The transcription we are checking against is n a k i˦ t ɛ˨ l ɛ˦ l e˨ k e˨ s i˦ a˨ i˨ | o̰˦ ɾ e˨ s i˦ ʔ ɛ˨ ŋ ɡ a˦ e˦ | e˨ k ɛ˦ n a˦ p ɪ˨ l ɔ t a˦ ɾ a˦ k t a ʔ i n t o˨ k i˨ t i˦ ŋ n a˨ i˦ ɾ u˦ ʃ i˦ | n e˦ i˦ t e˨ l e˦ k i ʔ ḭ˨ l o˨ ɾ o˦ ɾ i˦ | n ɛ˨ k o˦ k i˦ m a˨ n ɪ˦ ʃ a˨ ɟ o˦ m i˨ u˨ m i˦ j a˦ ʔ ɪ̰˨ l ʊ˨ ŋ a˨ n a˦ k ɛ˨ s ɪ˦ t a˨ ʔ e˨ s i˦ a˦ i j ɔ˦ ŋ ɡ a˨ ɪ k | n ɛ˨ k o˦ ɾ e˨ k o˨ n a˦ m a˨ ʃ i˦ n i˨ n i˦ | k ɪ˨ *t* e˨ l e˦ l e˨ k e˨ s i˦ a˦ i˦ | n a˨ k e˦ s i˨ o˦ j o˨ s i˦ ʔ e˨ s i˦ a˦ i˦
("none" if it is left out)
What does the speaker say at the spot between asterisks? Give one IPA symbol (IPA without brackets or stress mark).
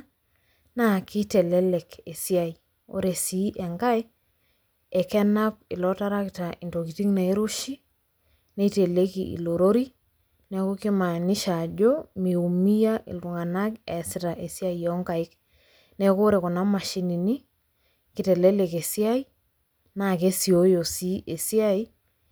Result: t